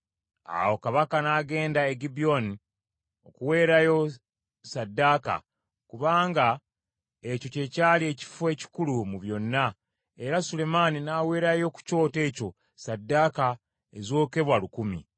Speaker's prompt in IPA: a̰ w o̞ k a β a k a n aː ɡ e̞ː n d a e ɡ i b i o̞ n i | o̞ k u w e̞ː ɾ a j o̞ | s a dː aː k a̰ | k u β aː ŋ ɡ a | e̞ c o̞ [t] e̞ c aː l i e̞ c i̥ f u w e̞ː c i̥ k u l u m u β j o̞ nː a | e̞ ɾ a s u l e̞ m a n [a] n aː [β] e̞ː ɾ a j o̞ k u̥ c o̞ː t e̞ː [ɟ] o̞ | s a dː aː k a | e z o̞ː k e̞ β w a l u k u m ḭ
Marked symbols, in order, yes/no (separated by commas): no, no, no, no